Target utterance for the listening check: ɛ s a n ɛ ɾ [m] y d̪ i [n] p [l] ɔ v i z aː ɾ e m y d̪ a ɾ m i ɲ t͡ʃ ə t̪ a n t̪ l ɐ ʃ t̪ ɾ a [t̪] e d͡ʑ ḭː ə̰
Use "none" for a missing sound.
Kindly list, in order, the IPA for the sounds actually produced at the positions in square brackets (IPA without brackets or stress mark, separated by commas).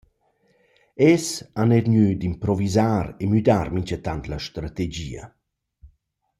ɲ, m, ɾ, t̪